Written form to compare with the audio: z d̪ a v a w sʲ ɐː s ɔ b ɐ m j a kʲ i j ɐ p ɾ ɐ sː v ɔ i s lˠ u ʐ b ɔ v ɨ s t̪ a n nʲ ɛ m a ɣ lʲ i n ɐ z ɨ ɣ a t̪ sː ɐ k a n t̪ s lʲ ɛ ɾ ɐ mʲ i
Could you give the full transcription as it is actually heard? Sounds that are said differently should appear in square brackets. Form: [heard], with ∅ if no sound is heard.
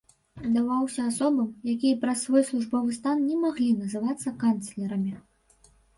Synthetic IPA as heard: z d̪ a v a w sʲ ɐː s ɔ b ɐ m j a kʲ i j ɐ p ɾ ɐ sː v ɔ [j] s lˠ u ʐ b ɔ v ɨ s t̪ a n nʲ ɛ m a ɣ lʲ i n ɐ z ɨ [v] a t̪ sː ɐ k a n t̪ s lʲ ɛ ɾ ɐ mʲ i